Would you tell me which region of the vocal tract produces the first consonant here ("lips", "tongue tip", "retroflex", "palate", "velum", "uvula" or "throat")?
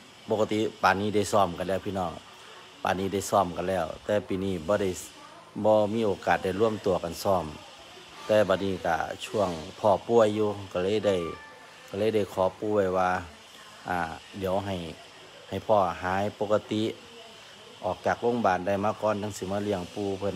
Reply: lips